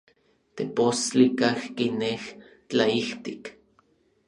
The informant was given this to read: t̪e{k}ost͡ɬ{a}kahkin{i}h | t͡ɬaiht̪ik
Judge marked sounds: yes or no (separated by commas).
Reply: no, no, no